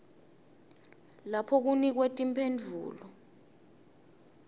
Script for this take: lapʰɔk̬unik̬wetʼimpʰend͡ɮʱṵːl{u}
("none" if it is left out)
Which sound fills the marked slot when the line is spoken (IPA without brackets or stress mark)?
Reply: ɔ